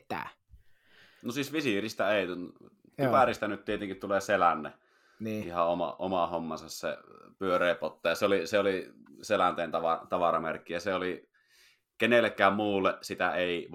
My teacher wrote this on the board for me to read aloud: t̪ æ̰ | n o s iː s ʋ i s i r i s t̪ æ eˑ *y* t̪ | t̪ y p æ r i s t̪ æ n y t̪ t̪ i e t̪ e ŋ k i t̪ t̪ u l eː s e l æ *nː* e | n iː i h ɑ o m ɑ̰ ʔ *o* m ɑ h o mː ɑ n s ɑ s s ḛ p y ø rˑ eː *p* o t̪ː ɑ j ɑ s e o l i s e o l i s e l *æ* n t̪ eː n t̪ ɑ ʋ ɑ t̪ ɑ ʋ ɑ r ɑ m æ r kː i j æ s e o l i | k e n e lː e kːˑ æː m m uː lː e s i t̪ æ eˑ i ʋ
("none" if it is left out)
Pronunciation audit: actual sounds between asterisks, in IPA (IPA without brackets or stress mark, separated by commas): i, nː, o, p, æ